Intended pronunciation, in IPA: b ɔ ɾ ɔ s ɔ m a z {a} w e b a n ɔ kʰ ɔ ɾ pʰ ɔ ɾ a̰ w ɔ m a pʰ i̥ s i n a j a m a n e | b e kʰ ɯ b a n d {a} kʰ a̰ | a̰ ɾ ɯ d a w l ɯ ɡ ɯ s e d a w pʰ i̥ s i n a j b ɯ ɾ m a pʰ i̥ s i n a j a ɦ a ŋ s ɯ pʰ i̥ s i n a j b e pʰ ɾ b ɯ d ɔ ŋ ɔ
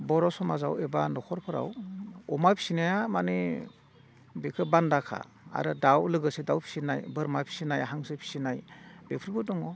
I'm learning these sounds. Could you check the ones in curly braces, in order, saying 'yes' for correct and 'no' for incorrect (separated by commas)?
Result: yes, yes